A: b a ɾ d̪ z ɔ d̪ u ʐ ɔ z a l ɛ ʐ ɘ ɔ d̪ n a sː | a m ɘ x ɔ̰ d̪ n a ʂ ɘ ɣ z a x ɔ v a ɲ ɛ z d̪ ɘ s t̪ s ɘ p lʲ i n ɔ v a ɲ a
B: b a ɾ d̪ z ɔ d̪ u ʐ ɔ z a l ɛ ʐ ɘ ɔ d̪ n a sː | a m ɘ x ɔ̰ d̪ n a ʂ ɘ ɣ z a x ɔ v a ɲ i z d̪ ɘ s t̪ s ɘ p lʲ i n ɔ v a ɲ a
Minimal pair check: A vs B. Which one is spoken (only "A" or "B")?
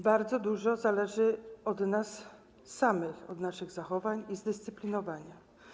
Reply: B